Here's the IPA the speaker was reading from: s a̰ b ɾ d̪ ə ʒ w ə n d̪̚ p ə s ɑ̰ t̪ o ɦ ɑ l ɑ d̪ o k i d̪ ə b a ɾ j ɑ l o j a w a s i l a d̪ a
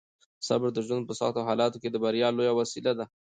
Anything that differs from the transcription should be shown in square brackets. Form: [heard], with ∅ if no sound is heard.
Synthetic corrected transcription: s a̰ b ɾ d̪ ə ʒ w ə n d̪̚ p ə s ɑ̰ t̪ o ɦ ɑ l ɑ [t̪] o k [e] d̪ ə b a ɾ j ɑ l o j a w a s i l a d̪ a